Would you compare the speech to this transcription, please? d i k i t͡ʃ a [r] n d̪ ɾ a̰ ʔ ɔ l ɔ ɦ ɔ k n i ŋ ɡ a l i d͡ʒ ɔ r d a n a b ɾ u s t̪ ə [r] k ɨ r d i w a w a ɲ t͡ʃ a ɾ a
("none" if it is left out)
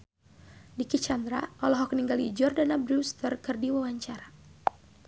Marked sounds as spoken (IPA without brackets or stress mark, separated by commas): none, r